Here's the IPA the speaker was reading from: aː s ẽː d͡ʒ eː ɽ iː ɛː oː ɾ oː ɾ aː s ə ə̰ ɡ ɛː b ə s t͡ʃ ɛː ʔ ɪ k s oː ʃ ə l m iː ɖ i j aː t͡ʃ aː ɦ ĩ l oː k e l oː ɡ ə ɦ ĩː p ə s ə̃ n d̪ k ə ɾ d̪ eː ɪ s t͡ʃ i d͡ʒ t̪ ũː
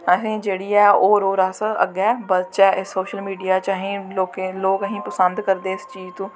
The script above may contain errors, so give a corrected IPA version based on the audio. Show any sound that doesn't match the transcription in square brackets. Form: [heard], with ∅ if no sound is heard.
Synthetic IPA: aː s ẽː d͡ʒ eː ɽ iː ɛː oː ɾ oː ɾ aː s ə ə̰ ɡ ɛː b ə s t͡ʃ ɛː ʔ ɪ [∅] s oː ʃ ə l m iː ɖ i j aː t͡ʃ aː ɦ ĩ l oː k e l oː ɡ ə ɦ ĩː p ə s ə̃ n d̪ k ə ɾ d̪ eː ɪ s t͡ʃ [iː] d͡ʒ t̪ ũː

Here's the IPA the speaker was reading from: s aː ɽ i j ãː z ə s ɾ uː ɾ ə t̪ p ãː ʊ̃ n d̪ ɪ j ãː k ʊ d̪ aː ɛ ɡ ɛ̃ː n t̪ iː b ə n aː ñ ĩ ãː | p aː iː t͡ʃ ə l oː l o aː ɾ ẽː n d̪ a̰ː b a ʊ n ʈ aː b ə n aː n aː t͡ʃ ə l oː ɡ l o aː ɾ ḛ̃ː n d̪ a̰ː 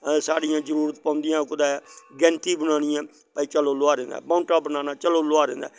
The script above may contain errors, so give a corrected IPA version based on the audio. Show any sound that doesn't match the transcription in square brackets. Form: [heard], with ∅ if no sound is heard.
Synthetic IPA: s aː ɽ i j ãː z ə [∅] ɾ uː ɾ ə t̪ p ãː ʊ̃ n d̪ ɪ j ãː k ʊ d̪ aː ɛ ɡ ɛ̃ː n t̪ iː b ə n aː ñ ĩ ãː | p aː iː t͡ʃ ə l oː l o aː ɾ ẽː n d̪ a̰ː b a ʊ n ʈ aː b ə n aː n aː t͡ʃ ə l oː [∅] l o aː ɾ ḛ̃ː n d̪ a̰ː

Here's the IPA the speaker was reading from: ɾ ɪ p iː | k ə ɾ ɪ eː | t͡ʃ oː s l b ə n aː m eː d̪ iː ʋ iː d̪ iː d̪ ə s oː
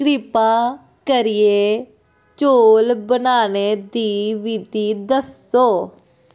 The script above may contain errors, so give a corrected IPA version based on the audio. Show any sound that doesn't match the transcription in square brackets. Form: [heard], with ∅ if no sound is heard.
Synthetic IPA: ɾ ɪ p [aː] | k ə ɾ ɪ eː | t͡ʃ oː [∅] l b ə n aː [n] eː d̪ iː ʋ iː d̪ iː d̪ ə s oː

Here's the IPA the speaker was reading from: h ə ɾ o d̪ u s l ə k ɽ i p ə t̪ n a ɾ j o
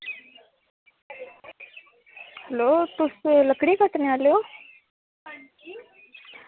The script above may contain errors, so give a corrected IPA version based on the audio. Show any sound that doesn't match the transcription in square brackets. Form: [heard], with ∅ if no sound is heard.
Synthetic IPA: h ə [l] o [t̪] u s l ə k ɽ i [k] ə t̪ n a [l] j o

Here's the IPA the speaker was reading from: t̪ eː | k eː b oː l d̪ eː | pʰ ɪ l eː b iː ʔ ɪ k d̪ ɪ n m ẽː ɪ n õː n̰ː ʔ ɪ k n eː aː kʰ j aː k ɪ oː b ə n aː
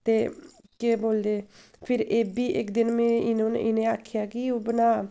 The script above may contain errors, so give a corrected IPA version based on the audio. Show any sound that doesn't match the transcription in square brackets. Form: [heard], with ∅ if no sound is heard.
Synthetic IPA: t̪ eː | k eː b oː l d̪ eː | pʰ ɪ [ɾ] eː b iː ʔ ɪ k d̪ ɪ n m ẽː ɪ n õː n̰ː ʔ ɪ [∅] n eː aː kʰ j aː k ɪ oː b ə n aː

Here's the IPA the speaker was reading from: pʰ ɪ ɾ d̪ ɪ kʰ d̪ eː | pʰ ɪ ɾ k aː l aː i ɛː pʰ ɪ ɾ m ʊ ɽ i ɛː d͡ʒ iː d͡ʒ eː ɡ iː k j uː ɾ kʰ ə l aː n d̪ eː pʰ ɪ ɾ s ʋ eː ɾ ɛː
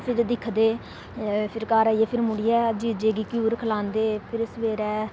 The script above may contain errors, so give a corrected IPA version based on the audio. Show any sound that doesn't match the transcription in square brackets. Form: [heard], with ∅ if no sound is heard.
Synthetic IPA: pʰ ɪ ɾ d̪ ɪ kʰ d̪ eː | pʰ ɪ ɾ k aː [ɾ] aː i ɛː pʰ ɪ ɾ m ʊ ɽ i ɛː d͡ʒ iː d͡ʒ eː ɡ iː k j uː ɾ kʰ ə l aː n d̪ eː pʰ ɪ ɾ s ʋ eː ɾ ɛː

